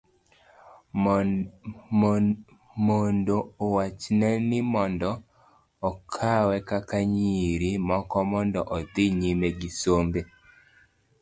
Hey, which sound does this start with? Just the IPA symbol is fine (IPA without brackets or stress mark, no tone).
m